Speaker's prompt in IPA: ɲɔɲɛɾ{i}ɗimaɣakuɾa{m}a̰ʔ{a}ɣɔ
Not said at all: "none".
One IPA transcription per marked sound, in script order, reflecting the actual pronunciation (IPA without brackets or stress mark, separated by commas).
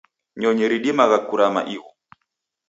i, m, i